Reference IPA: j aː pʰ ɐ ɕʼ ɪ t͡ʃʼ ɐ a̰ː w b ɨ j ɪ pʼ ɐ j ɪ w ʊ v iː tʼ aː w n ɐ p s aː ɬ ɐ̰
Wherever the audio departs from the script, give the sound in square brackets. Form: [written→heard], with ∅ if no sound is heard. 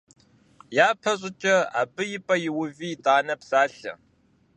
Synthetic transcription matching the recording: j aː pʰ ɐ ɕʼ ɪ t͡ʃʼ ɐ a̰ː [w→∅] b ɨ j ɪ pʼ ɐ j ɪ w ʊ v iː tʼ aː [w→∅] n ɐ p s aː ɬ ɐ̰